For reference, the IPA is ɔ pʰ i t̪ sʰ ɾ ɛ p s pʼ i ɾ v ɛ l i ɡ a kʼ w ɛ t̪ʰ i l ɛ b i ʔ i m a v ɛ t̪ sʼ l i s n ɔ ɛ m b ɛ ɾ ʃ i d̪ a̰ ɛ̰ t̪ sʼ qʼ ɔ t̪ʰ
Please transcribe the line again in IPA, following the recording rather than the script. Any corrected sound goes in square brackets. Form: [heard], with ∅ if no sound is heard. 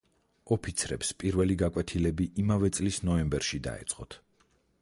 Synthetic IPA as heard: ɔ pʰ i t̪ sʰ ɾ ɛ p s pʼ i ɾ v ɛ l i ɡ a kʼ w ɛ t̪ʰ i l ɛ b i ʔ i m a v ɛ t̪ sʼ l i s n ɔ ɛ m b ɛ ɾ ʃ i d̪ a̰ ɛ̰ t̪ sʼ qʼ ɔ t̪ʰ